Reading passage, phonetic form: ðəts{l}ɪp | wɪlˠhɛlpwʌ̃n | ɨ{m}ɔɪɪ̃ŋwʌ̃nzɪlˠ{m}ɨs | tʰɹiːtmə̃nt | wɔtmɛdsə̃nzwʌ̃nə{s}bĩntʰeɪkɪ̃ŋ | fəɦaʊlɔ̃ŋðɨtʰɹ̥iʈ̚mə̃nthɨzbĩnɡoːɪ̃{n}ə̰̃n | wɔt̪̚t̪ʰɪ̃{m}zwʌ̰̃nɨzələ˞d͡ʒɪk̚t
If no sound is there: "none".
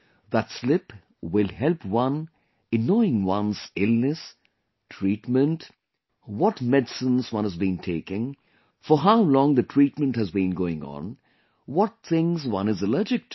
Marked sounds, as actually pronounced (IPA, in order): l, n, n, z, ŋ, ŋ

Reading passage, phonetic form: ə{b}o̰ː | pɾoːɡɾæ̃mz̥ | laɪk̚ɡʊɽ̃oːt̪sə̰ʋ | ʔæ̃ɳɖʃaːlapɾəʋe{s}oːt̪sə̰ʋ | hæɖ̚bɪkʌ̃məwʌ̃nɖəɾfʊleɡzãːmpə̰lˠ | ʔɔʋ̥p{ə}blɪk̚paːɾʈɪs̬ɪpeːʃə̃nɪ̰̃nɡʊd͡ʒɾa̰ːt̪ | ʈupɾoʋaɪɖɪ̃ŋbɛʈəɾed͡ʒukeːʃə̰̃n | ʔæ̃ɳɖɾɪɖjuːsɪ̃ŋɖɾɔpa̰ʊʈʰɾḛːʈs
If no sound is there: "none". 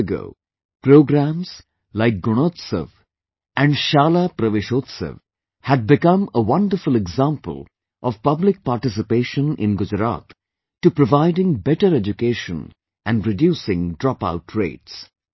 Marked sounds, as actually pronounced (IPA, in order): ɡ, ʃ, ʌ

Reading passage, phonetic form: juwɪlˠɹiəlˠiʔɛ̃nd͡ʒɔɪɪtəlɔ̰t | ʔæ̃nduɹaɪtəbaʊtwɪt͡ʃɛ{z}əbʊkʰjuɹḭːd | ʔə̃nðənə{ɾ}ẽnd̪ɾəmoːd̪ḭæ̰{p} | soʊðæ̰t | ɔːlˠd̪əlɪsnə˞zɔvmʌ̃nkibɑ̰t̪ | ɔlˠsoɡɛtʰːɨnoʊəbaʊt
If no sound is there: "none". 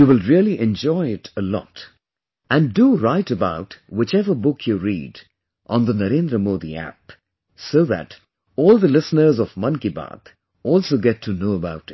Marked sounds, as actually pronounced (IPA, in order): v, ɾ, p

